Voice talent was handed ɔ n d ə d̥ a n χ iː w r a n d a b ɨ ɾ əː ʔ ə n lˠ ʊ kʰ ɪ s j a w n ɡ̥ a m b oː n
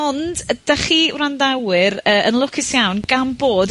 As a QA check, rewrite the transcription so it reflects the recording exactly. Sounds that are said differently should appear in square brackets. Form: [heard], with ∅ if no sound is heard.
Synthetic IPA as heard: ɔ n d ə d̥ a [∅] χ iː w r a n d a [w] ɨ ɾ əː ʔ ə n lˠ ʊ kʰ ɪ s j a w n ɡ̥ a m b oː [d]